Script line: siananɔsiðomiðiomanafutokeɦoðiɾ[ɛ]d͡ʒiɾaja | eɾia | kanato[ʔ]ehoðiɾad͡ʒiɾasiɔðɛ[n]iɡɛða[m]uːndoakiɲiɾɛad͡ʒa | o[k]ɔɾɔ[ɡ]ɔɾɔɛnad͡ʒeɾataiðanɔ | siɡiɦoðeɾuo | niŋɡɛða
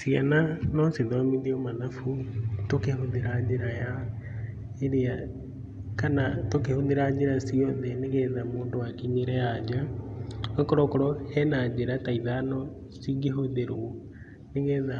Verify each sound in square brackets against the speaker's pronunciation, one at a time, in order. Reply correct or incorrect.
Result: incorrect, incorrect, correct, correct, correct, incorrect

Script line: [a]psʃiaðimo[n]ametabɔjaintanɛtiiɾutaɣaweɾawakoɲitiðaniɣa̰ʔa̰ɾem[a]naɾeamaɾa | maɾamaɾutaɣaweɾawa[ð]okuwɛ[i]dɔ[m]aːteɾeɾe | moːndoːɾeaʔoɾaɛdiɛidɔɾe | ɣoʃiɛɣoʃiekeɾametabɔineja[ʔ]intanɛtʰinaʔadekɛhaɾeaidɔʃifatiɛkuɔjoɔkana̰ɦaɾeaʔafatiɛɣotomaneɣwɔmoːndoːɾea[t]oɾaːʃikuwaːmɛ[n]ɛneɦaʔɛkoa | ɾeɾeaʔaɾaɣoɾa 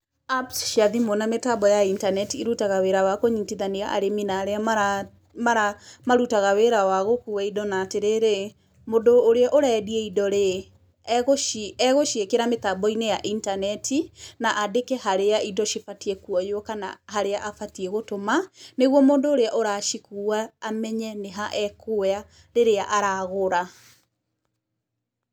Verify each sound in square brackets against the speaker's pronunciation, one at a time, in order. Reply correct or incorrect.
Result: correct, correct, incorrect, incorrect, correct, incorrect, correct, incorrect, incorrect

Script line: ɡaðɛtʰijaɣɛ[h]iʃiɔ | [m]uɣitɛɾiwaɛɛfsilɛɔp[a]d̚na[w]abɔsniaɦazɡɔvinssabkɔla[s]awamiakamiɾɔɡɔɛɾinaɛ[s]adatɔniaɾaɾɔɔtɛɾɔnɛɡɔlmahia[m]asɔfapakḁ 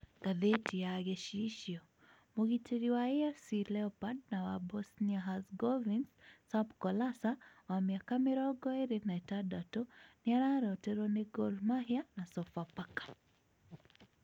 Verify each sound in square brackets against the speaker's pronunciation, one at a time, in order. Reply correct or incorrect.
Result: incorrect, correct, correct, correct, correct, incorrect, incorrect

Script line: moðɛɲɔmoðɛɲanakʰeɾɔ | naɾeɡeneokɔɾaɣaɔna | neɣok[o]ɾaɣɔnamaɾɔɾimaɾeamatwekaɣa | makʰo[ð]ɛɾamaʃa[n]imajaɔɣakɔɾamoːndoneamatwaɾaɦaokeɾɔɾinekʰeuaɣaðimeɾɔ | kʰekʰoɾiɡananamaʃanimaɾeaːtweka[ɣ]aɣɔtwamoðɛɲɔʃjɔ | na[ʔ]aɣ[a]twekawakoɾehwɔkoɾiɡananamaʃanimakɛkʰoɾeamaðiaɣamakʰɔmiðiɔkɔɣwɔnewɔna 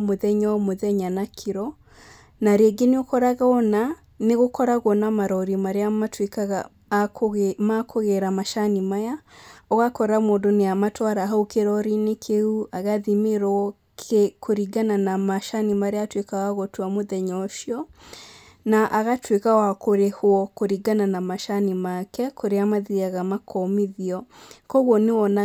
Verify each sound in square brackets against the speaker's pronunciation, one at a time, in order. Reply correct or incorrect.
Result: incorrect, incorrect, correct, correct, correct, correct

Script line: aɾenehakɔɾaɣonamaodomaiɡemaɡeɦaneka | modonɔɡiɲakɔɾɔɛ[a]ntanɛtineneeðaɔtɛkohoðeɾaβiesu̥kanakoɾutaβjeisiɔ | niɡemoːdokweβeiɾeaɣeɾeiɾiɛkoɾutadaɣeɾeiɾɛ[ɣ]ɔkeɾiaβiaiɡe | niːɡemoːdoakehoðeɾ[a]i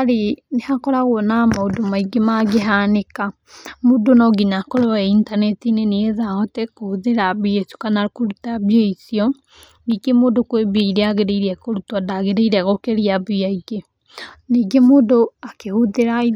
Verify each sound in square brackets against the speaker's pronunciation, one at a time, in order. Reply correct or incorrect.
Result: incorrect, correct, correct

